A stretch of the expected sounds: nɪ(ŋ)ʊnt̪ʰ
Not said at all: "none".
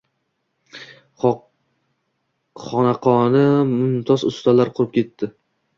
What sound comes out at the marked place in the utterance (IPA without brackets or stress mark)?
m